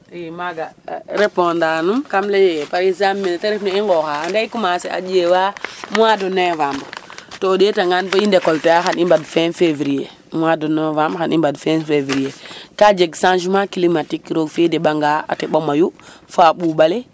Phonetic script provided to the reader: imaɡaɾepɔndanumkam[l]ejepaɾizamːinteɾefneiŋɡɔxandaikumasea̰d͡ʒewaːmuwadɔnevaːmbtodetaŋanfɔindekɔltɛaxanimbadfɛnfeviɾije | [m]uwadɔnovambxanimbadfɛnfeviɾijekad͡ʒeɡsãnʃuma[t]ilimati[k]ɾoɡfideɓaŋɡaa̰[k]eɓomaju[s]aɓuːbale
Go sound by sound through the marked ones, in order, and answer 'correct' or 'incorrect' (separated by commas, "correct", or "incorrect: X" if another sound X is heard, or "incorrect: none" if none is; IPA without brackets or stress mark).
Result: correct, correct, incorrect: k, correct, incorrect: t, incorrect: f